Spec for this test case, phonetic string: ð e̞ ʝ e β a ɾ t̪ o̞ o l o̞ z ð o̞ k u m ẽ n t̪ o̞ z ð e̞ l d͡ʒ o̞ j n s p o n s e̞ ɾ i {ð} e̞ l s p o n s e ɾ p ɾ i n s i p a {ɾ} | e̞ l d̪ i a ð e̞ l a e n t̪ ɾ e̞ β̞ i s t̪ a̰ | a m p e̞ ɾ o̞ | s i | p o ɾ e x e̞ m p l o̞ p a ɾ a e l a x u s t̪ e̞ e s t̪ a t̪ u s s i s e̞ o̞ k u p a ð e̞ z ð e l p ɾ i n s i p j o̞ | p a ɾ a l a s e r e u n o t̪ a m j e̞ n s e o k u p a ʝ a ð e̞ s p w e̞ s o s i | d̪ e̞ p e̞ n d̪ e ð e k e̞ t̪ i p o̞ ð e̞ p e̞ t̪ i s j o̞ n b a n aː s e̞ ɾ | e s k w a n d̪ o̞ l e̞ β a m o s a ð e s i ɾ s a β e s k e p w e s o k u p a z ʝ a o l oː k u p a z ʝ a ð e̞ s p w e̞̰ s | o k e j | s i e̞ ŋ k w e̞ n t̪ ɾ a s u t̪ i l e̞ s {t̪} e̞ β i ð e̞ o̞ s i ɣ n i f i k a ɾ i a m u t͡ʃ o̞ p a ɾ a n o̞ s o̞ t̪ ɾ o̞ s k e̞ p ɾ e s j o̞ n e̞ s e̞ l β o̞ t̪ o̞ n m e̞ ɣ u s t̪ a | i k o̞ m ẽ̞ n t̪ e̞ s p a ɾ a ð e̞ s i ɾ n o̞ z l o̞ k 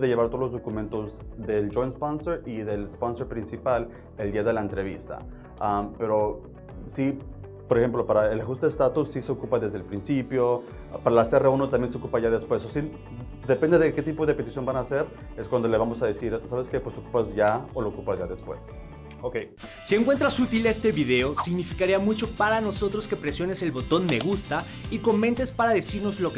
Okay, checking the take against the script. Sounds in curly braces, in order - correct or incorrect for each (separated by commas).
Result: correct, incorrect, correct